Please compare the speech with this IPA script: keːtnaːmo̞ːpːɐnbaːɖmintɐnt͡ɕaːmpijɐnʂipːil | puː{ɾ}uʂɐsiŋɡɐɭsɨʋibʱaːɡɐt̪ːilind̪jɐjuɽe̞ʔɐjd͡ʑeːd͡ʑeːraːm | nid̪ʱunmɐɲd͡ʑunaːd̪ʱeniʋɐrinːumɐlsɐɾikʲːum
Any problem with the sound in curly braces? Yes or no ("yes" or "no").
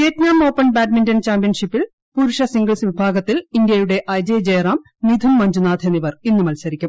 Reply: no